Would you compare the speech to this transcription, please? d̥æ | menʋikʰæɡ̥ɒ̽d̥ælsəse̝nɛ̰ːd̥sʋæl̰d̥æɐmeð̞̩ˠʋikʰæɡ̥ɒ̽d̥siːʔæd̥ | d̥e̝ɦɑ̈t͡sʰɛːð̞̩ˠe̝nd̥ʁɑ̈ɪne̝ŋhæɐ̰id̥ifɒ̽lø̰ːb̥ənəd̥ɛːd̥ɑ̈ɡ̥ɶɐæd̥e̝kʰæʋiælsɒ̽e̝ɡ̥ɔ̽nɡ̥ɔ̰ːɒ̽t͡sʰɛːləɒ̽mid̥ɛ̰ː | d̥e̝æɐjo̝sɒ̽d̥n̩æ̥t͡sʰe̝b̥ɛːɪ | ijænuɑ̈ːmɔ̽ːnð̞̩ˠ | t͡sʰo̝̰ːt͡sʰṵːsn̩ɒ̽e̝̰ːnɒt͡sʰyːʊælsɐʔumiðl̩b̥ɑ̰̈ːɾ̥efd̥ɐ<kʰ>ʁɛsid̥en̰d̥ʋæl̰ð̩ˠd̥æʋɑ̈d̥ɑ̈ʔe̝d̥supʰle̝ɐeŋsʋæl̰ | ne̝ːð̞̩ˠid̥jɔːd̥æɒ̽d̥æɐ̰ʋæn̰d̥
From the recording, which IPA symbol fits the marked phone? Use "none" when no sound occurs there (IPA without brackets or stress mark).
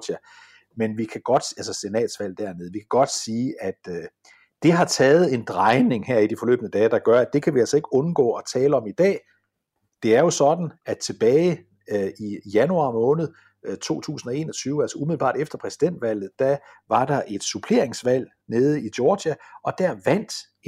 pʰ